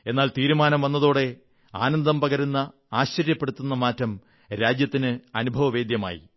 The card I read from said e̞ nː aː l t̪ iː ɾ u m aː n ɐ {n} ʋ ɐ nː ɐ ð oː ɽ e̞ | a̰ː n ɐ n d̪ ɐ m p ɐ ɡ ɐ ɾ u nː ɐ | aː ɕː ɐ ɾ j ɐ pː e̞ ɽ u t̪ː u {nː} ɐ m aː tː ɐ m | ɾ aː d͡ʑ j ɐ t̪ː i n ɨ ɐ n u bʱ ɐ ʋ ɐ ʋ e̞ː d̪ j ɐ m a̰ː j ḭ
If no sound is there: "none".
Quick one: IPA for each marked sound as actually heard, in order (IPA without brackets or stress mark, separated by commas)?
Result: m, nː